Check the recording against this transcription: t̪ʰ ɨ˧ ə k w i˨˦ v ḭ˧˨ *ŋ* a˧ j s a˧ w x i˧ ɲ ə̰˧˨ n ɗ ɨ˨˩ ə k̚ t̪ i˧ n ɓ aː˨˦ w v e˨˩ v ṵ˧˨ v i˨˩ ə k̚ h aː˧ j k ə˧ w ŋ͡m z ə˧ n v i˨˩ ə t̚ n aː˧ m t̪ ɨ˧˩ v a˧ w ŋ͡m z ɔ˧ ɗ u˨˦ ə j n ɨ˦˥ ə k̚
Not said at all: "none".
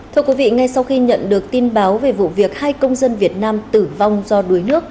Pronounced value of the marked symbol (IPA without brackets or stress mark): ŋ